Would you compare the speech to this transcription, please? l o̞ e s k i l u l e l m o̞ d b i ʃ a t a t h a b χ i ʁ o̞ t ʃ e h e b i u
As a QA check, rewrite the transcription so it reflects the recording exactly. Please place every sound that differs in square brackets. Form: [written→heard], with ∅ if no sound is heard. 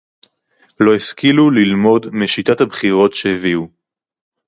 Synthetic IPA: l o̞ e s k i l u l [e→i] l m o̞ d [b→m] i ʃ [a→i] t a t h a b χ i ʁ o̞ t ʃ e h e [b→v] i u